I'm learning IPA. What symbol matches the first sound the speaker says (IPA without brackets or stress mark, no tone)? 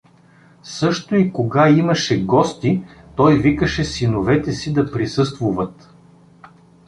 s